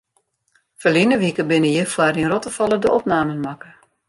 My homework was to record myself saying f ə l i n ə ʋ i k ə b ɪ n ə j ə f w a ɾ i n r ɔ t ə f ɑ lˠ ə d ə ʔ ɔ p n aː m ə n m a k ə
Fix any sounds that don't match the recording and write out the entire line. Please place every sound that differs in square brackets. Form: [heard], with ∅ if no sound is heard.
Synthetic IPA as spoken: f ə l i n ə ʋ i k ə b ɪ n ə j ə f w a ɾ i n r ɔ t ə f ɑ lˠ ə d ə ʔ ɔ p n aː m ə n m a k ə